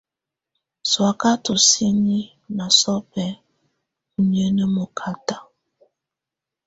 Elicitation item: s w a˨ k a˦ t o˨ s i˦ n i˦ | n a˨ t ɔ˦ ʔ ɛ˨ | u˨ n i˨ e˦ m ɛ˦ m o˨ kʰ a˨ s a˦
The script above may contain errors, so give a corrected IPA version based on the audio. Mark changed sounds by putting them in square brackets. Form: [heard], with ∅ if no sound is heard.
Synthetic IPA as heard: s w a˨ k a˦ t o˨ s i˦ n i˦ | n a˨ [s] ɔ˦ [p] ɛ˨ | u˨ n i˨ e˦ [n] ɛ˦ m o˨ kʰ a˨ [t] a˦

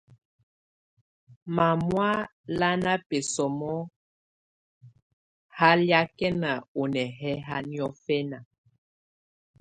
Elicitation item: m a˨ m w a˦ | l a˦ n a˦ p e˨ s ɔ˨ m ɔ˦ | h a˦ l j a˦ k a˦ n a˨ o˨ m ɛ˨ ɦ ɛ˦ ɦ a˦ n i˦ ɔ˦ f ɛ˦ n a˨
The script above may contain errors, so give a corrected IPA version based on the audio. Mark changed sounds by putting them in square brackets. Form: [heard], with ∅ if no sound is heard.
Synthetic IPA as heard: m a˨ m w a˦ | l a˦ n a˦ p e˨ s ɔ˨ m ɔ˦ | h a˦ l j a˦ k [ɛ˦] n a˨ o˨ [n] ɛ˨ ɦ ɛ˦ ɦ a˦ n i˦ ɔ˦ f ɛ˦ n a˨

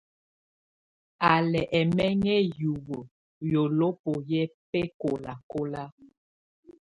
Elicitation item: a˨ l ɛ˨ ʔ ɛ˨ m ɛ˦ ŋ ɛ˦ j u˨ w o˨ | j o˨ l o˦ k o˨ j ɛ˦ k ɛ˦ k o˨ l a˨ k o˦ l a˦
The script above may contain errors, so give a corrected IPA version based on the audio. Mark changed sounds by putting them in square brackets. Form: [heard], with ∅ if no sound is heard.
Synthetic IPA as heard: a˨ l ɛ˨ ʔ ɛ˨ m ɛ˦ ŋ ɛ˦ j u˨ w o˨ | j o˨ l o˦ [p] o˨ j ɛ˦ [p] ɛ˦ k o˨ l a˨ k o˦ l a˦

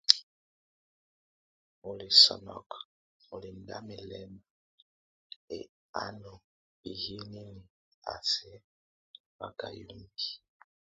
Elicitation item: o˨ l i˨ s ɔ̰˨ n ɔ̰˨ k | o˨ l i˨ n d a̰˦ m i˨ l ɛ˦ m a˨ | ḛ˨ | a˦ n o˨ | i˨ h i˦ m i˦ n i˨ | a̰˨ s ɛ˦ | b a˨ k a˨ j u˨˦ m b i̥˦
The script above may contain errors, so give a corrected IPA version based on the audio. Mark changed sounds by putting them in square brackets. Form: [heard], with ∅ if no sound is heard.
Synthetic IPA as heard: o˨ l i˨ s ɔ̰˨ n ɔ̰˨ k | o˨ l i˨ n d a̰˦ m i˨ l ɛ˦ m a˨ | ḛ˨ | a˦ n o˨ | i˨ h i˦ [n] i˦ n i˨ | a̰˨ s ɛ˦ | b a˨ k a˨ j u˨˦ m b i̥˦

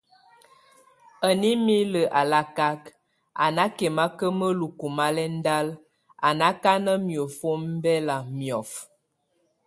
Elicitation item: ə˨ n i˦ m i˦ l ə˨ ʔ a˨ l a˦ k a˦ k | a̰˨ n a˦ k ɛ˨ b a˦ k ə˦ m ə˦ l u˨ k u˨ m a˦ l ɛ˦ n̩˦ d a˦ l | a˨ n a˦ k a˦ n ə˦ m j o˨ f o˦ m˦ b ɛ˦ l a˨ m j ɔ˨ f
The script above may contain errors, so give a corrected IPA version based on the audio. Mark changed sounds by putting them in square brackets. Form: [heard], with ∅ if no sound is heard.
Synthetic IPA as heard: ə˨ n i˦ m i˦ l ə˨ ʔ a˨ l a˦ k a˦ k | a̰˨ n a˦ k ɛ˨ [m] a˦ k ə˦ m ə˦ l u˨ k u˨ m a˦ l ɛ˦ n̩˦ d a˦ l | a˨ n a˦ k a˦ n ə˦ m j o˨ f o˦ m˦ b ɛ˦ l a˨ m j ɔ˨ f

